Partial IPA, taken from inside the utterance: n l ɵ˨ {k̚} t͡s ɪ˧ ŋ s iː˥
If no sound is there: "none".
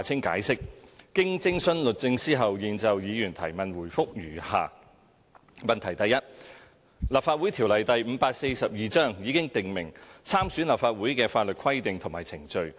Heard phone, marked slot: t̚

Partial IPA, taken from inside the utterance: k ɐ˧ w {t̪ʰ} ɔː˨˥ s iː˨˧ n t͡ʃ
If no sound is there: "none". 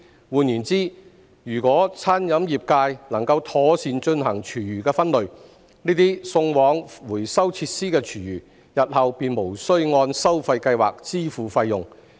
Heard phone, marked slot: t̪ʰ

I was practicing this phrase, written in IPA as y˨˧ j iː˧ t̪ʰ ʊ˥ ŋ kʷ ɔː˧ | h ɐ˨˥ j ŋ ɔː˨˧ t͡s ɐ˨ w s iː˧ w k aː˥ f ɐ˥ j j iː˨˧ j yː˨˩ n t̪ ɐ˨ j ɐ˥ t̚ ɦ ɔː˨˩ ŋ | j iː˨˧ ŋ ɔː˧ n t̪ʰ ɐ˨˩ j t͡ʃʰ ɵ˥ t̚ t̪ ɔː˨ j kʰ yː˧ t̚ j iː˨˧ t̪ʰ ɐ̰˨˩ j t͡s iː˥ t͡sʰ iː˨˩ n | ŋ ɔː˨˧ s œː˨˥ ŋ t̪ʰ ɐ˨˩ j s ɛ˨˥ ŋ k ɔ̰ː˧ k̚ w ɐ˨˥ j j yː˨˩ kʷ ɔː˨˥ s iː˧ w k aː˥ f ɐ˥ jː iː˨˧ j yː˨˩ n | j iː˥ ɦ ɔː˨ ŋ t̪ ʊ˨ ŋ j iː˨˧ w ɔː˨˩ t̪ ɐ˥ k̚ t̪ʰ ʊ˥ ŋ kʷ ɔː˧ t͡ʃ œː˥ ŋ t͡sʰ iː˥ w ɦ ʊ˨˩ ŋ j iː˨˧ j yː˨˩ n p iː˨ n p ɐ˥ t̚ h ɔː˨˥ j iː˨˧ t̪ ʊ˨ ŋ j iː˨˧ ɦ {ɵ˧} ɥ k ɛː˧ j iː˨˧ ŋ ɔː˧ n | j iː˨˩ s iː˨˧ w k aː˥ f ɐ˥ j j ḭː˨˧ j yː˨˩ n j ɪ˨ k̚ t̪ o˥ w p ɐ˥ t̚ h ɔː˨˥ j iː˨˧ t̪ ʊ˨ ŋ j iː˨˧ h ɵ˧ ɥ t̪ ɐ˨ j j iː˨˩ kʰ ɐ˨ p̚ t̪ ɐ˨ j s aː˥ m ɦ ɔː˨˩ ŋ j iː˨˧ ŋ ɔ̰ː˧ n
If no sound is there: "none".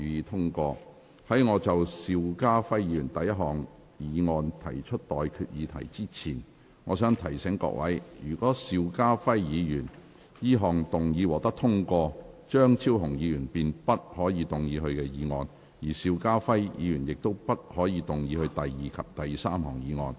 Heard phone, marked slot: ɵ˧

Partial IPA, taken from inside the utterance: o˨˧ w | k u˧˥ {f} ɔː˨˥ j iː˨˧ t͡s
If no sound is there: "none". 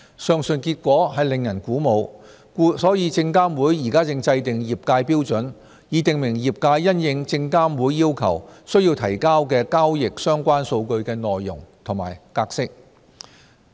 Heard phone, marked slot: s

